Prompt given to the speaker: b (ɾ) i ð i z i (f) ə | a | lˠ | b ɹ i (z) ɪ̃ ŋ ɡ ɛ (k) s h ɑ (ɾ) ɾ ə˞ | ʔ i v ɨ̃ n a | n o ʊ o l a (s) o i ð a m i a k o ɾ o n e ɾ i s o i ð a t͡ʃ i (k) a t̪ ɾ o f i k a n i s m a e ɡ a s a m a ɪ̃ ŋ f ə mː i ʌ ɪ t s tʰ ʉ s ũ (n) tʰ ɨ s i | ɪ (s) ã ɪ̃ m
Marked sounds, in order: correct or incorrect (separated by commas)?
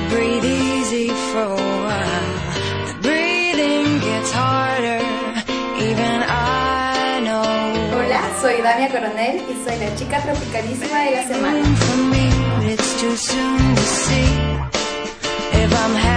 incorrect, correct, incorrect, incorrect, incorrect, correct, correct, correct, incorrect